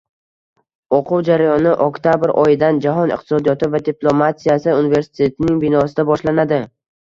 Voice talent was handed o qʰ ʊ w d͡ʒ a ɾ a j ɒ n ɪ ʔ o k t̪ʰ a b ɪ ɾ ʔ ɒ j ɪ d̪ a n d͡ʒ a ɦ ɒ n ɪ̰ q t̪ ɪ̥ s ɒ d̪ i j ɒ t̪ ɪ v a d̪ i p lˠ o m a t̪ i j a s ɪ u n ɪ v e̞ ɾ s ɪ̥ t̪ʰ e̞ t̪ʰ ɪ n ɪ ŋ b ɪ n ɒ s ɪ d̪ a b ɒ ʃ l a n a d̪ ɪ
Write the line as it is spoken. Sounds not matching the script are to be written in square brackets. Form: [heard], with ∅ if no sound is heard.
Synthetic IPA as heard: o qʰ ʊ w d͡ʒ a ɾ a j ɒ n ɪ ʔ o k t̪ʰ a b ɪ ɾ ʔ ɒ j ɪ d̪ a n d͡ʒ a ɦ ɒ n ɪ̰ q t̪ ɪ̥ s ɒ d̪ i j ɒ t̪ ɪ v a d̪ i p lˠ o m a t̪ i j a s ɪ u n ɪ v e̞ ɾ s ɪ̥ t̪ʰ e̞ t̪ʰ ɪ n ɪ ŋ b ɪ n ɒ s ɪ d̪ a b ɒ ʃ l a n a d̪ ɪ